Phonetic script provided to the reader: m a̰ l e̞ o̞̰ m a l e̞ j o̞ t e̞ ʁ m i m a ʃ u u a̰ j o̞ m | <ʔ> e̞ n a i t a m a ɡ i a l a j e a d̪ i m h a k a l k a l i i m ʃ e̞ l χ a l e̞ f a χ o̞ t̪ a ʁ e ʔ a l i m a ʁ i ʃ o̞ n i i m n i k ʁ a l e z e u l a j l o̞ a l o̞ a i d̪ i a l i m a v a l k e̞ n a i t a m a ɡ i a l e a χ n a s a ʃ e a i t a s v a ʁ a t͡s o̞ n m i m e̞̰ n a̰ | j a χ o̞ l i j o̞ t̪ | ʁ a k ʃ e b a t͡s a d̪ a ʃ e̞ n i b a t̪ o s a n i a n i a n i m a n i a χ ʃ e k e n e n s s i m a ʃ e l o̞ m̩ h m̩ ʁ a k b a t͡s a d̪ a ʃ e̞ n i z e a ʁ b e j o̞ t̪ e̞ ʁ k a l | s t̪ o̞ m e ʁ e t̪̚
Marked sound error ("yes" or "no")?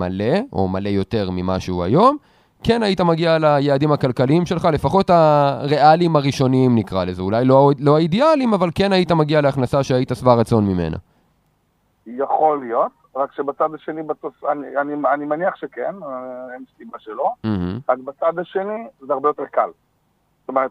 yes